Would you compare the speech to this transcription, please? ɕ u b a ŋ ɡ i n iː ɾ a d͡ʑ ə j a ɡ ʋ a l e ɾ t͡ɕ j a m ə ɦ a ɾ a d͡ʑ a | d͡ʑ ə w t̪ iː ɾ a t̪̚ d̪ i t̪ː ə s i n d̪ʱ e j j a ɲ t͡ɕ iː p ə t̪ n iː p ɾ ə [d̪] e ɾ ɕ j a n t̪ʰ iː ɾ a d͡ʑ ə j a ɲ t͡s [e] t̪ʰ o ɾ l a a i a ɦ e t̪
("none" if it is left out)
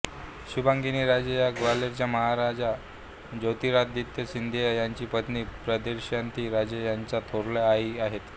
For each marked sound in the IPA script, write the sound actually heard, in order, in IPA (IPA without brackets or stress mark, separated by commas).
d̪, a